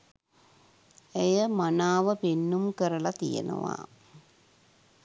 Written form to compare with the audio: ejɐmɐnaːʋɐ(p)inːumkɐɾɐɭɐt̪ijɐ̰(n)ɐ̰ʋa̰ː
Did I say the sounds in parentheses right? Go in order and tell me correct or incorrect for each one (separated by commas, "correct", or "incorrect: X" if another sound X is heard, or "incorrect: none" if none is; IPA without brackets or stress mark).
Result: correct, correct